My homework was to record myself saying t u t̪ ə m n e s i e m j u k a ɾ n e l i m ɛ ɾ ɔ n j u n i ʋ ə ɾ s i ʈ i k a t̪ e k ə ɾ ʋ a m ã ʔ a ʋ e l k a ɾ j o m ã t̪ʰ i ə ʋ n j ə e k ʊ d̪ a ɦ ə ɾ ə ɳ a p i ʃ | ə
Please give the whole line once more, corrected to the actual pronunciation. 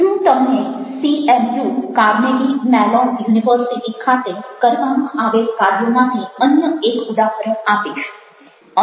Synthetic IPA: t ũ t̪ ə m n e s i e m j u k a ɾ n e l i m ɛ l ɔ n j u n i ʋ ə ɾ s i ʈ i kʰ a t̪ e k ə ɾ ʋ a m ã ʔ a ʋ e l k a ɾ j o m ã t̪ʰ i ə n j ə e k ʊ d̪ a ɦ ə ɾ ə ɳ a p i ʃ | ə